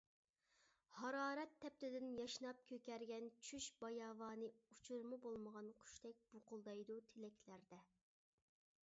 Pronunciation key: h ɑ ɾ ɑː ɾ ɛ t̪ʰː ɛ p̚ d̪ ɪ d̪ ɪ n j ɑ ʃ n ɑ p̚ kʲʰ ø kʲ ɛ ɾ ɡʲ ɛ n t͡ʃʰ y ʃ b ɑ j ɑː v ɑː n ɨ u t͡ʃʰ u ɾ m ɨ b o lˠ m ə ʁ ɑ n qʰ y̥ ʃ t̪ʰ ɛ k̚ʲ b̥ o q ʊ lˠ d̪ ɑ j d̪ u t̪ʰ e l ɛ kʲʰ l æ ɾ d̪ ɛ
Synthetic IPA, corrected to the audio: h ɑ ɾ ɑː ɾ ɛ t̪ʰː ɛ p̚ t̪ ɪ d̪ ɪ n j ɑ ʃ n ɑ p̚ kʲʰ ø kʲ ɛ ɾ ɡʲ ɛ n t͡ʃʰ y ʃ b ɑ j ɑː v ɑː n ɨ u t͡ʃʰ u ɾ m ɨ b o lˠ m ə ʁ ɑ n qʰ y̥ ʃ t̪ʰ ɛ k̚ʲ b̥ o q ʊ lˠ d̪ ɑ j d̪ u t̪ʰ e l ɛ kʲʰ l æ ɾ d̪ ɛ